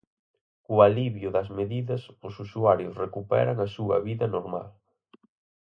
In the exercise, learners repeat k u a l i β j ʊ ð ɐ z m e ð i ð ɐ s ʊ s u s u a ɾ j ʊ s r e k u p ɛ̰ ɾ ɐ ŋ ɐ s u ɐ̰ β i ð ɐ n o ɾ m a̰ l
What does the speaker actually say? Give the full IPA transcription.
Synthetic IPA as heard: k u a l i β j ʊ ð ɐ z m e ð i ð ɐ s ʊ s u s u a ɾ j ʊ s r e k u p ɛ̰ ɾ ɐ ŋ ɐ s u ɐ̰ β i ð ɐ n o ɾ m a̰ l